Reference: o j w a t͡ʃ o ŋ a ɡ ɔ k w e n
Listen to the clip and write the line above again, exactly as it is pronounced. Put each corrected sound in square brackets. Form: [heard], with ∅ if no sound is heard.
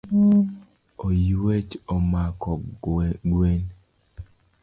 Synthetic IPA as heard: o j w [e] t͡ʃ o [m] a [k] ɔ [ɡ] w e n